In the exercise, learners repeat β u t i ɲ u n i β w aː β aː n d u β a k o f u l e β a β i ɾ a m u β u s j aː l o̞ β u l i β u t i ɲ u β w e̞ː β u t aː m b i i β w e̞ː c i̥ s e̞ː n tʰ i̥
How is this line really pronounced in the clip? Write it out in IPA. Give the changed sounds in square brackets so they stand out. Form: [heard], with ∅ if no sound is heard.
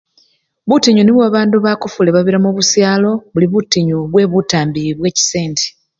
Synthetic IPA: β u t i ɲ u n i β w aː β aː n d u β a k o f u l e β a β i ɾ a m u β u s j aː l o̞ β u l i β u t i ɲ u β w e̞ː β u t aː m b i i β w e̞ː c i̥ s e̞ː n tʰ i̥